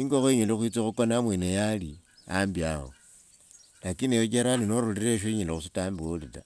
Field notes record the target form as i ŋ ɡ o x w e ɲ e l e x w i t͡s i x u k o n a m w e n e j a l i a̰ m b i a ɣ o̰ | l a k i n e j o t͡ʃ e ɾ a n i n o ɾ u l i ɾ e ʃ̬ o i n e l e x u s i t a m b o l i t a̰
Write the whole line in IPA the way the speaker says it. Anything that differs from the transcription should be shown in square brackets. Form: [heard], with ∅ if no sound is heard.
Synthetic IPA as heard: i ŋ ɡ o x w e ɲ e l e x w i t͡s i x u k o n a m w e n e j a l i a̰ m b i a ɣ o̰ | l a k i n e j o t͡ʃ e ɾ a n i n o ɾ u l i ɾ e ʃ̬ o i [ɲ] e l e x u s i t a m b o l i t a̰